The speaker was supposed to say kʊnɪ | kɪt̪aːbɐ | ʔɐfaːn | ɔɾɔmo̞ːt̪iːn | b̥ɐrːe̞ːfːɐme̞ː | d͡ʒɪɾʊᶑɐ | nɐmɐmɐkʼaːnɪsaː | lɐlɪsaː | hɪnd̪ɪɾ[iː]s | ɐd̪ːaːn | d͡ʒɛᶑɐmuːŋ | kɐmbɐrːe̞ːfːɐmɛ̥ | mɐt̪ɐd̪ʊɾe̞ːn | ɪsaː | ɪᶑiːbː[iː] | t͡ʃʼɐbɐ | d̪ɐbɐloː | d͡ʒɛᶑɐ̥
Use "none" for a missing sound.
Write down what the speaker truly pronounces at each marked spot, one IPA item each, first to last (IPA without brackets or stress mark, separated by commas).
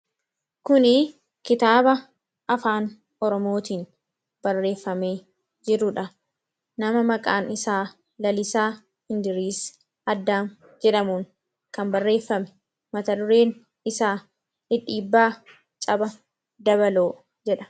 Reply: iː, aː